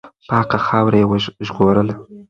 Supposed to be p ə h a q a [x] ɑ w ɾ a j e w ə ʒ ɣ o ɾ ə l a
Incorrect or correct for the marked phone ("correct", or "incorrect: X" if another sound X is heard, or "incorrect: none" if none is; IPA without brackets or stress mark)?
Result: correct